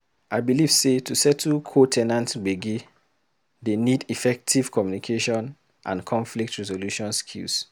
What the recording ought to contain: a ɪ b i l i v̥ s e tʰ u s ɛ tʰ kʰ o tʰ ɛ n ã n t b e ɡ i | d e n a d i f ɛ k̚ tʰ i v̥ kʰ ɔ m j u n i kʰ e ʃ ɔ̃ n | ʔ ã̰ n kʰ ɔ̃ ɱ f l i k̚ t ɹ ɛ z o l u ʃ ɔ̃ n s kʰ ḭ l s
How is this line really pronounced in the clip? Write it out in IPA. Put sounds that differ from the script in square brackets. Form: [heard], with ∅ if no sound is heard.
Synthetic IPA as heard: a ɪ b i l i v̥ s e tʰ u s ɛ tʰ kʰ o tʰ ɛ n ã n t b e ɡ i | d e n [i] d i f ɛ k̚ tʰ i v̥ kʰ ɔ m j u n i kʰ e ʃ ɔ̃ n | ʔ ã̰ n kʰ ɔ̃ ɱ f l i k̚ t ɹ ɛ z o l u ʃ ɔ̃ n s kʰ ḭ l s